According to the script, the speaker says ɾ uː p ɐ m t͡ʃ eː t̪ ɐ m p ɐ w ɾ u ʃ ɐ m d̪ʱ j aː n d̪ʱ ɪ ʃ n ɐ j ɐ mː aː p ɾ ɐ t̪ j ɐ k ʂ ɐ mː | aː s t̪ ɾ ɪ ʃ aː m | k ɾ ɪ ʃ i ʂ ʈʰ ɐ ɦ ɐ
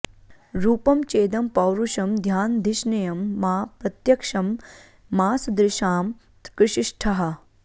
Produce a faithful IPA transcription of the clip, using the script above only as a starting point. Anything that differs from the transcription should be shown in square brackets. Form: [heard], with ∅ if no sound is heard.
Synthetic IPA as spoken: ɾ uː p ɐ m t͡ʃ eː [d̪] ɐ m p ɐ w ɾ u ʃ ɐ m d̪ʱ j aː n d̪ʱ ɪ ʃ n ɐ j ɐ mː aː p ɾ ɐ t̪ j ɐ k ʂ ɐ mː | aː s [d̪] ɾ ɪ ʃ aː m | k ɾ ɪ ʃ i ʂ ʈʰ ɐ ɦ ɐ